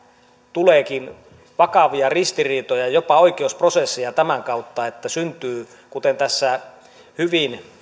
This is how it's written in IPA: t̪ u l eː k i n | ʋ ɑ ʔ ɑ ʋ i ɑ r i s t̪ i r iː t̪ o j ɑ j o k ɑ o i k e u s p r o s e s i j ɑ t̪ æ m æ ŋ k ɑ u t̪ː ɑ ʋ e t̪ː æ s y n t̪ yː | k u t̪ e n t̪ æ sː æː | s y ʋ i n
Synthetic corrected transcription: t̪ u l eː k i n | ʋ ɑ k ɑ ʋ i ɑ r i s t̪ i r iː t̪ o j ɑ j o p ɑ o i k e u s p r o s e sː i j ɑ t̪ æ m æ ŋ k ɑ u t̪ː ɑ e t̪ː æ s y n t̪ yː | k u t̪ e n t̪ æ sː æ | h y ʋ i n